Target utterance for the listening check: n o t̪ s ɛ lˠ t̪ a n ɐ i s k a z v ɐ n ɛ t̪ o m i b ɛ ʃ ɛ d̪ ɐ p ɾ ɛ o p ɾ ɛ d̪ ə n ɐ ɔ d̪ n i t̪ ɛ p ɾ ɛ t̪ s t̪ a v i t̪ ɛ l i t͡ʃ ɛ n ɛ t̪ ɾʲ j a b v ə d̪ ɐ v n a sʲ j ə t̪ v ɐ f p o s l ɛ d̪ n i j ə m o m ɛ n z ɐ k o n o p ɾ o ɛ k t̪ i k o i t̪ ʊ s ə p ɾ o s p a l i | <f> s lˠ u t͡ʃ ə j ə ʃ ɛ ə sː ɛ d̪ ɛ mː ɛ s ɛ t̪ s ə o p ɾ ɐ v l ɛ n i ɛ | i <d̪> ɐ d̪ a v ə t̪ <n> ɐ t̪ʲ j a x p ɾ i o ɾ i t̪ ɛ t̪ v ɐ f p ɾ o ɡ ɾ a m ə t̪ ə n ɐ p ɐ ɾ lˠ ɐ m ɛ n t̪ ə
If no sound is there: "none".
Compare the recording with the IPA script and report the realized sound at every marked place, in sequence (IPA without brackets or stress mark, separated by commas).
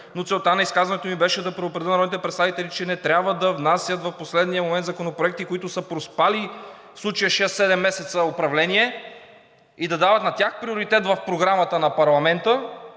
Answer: f, d̪, n